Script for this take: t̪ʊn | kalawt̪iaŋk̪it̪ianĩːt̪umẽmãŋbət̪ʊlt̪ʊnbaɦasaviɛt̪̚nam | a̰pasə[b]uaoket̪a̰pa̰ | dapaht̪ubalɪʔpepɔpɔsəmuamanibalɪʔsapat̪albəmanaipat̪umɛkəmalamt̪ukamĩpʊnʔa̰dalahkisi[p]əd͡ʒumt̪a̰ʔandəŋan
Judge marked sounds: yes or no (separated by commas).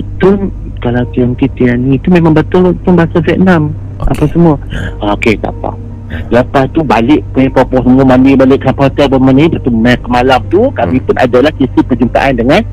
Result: no, yes